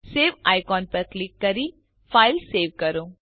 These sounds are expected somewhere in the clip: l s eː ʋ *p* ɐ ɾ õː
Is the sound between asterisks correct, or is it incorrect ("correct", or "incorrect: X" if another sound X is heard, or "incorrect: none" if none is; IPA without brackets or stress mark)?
incorrect: k